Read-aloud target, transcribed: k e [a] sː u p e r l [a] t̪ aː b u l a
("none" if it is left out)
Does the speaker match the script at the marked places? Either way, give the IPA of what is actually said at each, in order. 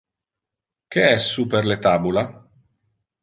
ɛ, e

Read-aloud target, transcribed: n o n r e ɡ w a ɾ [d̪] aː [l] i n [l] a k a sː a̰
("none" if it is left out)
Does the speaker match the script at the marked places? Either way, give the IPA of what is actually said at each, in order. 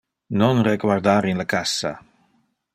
d̪, ɾ, l

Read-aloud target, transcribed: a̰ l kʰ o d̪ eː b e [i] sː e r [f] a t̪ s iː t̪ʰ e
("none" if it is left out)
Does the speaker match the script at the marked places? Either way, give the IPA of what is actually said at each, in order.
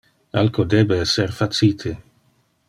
ɛ, f

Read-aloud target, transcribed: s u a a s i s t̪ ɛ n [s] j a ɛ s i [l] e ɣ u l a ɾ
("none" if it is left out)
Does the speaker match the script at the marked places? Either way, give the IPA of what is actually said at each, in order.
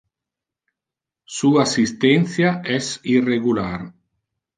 θ, r

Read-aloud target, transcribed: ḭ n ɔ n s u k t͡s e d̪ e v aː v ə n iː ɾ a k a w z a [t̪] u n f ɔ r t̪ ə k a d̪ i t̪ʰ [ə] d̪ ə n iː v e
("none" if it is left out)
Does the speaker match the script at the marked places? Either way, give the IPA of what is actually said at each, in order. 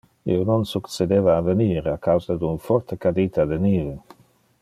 d̪, a

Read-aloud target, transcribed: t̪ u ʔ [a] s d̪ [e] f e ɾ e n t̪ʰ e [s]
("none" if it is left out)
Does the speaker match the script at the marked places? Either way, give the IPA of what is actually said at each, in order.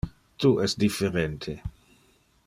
ɛ, i, none

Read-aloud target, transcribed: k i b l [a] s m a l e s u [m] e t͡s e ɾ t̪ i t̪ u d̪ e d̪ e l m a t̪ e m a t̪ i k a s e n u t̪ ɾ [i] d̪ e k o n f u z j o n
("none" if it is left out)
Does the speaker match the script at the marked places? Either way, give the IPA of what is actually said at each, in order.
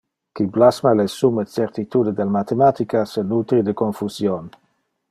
a, m, i

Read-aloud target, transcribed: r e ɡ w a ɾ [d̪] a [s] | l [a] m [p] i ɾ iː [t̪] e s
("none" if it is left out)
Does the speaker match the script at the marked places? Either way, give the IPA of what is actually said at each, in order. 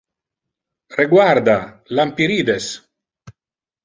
d̪, none, a, p, d̪

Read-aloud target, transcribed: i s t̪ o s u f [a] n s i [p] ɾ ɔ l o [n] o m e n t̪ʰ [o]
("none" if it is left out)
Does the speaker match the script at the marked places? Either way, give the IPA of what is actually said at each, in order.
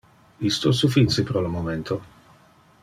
i, p, m, o

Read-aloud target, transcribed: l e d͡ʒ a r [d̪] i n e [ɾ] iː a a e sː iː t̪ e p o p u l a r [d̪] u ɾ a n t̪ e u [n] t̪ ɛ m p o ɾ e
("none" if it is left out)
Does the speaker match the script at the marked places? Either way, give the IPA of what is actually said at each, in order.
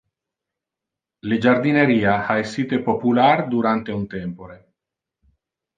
d̪, ɾ, d̪, n

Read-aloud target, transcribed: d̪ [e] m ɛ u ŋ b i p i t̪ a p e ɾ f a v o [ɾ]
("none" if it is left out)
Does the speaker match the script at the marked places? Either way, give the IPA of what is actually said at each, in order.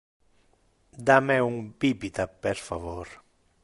a, ɾ

